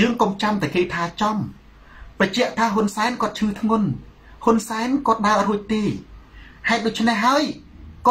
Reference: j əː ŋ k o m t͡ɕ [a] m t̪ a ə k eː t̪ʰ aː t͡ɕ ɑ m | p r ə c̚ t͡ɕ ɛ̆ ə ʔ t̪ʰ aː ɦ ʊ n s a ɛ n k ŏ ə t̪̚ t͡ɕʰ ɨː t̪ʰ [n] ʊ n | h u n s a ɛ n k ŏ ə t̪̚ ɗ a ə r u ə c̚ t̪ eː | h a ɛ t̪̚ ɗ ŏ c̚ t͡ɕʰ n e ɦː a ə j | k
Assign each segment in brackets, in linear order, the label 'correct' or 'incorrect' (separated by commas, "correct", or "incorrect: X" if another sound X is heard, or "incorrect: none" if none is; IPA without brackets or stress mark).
correct, incorrect: ŋ